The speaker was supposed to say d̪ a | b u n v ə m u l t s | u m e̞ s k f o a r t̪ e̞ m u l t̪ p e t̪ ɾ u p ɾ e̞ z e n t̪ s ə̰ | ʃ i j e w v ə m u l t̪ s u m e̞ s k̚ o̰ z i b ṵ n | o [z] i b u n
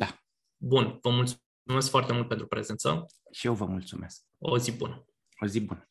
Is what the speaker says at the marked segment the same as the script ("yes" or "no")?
yes